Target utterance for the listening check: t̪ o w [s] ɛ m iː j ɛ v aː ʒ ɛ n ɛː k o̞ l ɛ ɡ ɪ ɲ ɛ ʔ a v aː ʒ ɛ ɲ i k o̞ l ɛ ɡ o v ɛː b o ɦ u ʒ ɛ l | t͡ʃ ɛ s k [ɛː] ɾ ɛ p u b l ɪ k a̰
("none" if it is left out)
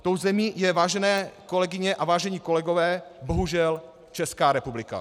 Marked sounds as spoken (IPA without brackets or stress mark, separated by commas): z, aː